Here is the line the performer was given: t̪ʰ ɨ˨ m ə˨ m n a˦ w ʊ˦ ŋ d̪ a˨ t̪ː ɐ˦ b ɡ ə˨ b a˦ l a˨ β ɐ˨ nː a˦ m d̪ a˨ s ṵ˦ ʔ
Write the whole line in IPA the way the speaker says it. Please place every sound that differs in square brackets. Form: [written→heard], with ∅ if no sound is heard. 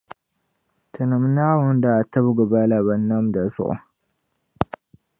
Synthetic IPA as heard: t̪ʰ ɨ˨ [m→n] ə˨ m n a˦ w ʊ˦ [ŋ→n] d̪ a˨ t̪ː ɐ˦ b ɡ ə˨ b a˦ l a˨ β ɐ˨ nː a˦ m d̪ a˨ s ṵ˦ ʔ